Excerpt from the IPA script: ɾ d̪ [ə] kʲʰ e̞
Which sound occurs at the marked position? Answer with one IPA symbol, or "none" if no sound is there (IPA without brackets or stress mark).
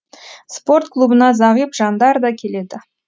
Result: ɑ